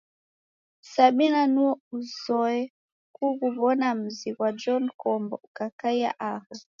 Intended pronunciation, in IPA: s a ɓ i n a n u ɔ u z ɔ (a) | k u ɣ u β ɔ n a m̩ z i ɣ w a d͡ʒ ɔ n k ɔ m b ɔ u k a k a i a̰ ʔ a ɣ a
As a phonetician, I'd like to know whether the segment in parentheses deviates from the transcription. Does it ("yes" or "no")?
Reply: yes